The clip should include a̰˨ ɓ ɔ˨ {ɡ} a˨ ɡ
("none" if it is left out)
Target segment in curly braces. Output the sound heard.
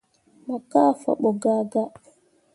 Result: ɡ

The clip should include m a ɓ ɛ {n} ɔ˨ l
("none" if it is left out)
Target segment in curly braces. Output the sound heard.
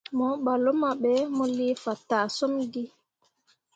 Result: m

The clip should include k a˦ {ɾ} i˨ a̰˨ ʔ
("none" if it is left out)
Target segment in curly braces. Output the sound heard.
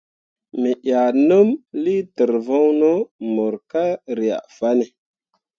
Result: ɾ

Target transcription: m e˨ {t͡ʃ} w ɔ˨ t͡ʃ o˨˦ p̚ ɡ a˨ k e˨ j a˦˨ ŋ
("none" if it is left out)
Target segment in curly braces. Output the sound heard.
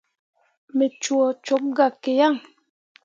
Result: t͡ʃ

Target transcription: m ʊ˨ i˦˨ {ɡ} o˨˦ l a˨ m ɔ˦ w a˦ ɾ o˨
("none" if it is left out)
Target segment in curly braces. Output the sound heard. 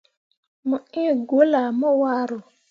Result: ɡ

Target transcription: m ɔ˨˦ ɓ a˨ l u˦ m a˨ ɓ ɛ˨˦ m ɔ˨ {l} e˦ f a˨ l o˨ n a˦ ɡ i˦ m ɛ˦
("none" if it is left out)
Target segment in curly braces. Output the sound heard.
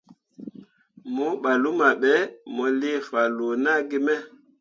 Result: l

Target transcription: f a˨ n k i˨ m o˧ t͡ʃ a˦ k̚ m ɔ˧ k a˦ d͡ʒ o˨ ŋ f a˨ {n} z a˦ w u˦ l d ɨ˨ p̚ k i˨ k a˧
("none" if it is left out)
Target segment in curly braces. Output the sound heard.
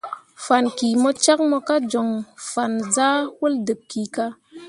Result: n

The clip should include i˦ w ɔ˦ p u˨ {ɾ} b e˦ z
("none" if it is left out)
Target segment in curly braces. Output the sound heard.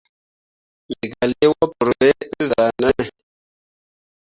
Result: ɾ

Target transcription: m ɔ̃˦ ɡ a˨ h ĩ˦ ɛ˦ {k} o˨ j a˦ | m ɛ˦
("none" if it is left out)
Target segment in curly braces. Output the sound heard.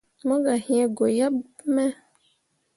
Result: ɡ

